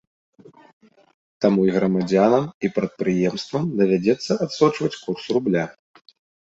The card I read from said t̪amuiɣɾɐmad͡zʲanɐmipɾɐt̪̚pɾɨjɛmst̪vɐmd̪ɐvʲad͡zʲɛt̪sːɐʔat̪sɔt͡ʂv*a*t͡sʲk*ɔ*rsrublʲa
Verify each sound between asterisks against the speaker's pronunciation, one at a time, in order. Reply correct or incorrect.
incorrect: ɐ, incorrect: u

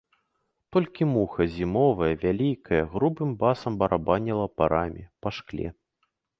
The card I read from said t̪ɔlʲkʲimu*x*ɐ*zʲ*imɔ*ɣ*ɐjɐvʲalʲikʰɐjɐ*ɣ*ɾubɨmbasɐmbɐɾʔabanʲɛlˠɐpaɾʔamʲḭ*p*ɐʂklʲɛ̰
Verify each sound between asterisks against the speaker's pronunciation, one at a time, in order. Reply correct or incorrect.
correct, correct, incorrect: v, correct, correct

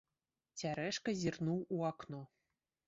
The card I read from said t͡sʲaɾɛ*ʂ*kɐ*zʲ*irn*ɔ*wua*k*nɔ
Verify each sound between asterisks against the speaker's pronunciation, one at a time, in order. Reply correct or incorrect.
correct, correct, incorrect: u, correct

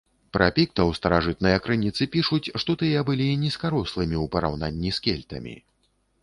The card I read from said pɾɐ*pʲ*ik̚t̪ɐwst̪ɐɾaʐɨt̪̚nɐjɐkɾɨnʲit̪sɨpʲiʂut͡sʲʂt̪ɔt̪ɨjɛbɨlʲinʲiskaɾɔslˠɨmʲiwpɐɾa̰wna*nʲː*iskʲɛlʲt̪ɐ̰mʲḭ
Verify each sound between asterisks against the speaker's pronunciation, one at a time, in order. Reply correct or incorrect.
correct, correct

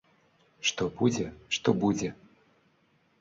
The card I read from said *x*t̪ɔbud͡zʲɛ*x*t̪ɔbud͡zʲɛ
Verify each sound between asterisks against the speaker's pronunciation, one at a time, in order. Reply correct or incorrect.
incorrect: ʂ, incorrect: ʂ

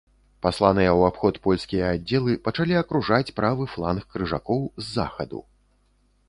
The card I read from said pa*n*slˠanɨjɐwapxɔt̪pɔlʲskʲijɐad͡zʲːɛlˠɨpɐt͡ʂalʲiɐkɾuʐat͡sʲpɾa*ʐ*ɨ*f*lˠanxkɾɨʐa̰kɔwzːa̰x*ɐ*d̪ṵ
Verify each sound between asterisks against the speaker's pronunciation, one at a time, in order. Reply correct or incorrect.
incorrect: none, incorrect: v, correct, correct

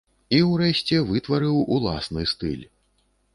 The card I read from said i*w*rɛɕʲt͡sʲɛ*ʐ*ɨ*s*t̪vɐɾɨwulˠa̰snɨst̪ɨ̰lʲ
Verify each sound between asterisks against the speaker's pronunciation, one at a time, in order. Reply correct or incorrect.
correct, incorrect: v, incorrect: none

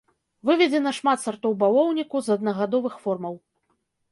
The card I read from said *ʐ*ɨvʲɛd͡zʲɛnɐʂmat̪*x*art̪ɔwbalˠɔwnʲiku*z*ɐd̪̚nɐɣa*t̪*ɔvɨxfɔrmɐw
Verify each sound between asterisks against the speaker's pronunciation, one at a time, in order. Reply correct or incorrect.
incorrect: v, incorrect: s, correct, incorrect: d̪

